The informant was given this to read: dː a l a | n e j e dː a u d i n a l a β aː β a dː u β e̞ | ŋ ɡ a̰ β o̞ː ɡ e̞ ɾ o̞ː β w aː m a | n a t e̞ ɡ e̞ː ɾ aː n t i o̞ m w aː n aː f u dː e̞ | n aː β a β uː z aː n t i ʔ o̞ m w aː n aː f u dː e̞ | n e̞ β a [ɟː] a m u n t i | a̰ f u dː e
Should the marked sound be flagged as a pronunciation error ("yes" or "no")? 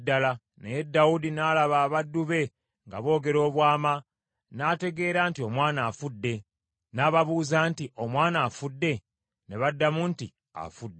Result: yes